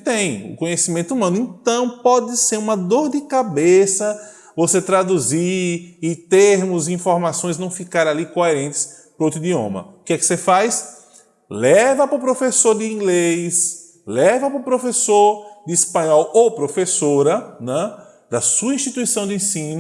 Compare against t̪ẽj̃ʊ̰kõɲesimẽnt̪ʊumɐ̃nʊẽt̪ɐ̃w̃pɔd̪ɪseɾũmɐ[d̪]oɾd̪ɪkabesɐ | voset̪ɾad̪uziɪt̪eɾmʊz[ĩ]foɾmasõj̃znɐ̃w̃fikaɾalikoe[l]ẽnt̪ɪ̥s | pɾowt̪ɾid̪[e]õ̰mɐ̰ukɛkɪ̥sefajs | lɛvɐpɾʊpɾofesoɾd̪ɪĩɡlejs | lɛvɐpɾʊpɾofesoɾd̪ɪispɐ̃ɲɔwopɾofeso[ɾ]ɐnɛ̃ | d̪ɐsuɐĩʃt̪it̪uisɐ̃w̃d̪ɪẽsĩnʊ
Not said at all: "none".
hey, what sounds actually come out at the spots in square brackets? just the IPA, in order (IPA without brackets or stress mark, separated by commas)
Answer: d̪, ĩ, ɾ, i, ɾ